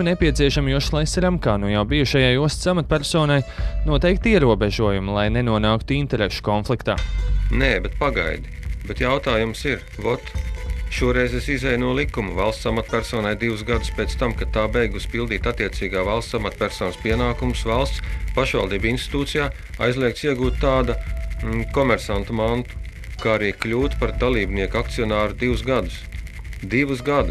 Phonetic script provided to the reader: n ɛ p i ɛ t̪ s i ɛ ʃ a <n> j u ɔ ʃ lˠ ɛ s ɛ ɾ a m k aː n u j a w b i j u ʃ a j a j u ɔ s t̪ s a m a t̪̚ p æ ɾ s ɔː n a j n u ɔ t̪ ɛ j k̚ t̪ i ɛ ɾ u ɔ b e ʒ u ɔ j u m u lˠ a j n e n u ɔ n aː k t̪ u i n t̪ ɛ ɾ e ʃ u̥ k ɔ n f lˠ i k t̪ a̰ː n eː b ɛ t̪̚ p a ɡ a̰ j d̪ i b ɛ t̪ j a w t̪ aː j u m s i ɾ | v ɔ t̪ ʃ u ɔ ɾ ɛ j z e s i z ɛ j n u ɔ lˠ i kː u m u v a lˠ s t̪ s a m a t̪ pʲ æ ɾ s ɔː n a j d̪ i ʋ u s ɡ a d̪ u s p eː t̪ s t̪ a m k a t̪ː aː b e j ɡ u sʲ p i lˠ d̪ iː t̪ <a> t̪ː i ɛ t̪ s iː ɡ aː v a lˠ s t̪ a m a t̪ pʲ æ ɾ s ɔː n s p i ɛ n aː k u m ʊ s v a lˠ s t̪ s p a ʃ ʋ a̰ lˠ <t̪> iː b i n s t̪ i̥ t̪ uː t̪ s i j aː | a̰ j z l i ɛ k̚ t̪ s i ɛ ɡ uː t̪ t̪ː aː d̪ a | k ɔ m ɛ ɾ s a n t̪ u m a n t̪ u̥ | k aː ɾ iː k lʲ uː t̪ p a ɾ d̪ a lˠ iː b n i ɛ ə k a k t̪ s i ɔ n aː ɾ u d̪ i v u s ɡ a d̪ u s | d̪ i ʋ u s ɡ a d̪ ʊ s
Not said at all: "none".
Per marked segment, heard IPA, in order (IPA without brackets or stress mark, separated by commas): m, a, d̪